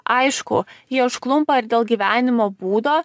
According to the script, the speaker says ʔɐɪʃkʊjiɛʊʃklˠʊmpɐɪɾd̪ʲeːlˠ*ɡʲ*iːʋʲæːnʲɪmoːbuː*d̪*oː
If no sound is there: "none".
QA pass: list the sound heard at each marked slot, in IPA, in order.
ɡʲ, d̪

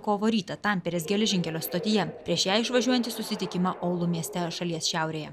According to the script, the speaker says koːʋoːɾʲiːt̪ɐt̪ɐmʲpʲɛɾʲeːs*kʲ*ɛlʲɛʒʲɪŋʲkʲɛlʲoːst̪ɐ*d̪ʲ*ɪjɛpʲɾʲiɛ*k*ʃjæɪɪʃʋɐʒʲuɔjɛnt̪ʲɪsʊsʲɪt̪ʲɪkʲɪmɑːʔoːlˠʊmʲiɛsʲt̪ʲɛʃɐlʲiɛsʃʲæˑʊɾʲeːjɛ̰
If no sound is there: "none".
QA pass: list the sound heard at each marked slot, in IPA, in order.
ɡʲ, t̪ʲ, none

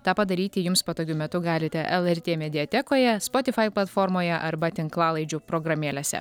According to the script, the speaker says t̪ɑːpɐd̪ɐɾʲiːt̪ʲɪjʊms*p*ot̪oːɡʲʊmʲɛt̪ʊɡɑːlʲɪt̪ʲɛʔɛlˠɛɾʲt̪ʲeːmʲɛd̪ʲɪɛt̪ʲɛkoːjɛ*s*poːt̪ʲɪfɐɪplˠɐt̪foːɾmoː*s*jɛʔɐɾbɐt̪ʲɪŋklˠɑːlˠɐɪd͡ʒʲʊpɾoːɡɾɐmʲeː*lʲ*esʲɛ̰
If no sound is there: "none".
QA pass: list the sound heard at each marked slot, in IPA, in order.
p, s, none, lʲ

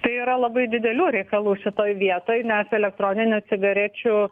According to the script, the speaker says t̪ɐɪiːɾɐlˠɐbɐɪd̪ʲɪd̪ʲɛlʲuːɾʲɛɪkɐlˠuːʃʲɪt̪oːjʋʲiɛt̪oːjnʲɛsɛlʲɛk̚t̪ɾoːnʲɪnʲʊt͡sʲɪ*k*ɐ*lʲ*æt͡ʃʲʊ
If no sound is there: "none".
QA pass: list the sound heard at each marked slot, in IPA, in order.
ɡ, ɾʲ

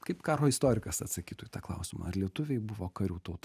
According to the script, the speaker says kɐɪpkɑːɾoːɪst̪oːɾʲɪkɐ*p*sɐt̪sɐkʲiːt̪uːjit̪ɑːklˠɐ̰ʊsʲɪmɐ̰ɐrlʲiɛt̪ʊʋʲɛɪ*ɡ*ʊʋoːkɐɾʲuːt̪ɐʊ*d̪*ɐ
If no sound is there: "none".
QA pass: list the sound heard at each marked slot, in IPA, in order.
none, b, t̪

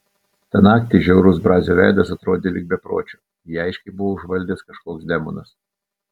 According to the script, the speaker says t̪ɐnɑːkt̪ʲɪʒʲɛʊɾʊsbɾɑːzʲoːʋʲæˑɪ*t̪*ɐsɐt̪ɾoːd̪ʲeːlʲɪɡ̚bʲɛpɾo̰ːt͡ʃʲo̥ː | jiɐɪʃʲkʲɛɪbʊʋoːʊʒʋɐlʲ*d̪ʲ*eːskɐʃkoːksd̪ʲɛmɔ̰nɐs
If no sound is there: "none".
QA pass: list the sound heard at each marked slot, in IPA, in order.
d̪, d̪ʲ

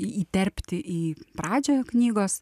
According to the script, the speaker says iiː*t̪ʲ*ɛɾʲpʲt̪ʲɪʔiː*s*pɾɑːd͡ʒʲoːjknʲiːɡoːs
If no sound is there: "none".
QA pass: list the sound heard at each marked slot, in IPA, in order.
t̪ʲ, none

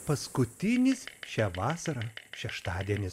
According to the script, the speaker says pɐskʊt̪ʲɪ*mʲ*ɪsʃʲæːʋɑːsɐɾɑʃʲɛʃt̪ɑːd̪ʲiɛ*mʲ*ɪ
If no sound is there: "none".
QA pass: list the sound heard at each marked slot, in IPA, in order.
nʲ, nʲ

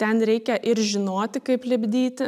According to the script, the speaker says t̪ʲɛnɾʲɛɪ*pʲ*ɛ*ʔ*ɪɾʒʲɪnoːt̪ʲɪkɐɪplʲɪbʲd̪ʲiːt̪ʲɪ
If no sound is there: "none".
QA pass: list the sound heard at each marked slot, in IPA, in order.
kʲ, ʔ

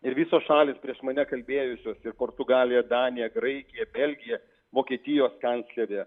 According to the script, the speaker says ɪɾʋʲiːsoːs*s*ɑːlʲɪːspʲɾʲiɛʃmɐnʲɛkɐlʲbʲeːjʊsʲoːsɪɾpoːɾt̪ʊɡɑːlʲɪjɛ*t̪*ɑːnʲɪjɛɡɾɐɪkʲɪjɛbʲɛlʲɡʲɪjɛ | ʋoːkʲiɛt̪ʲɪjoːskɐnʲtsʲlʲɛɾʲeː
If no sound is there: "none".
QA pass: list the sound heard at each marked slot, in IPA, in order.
ʃ, d̪

